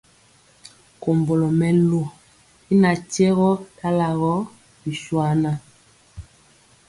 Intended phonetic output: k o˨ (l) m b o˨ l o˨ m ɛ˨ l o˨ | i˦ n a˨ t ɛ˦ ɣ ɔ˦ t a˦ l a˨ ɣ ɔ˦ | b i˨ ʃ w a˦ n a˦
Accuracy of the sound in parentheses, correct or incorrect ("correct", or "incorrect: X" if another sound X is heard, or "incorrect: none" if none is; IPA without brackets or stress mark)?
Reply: incorrect: none